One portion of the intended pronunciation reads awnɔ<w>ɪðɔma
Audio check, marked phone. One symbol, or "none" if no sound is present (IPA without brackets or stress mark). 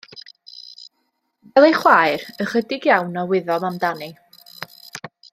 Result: w